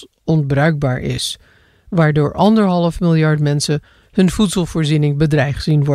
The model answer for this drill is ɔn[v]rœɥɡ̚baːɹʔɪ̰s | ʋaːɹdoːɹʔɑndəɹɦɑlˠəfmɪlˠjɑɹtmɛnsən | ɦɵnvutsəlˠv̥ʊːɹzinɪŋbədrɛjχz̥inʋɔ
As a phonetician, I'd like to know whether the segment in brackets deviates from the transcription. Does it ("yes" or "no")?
yes